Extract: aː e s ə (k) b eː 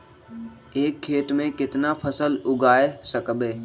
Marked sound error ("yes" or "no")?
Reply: no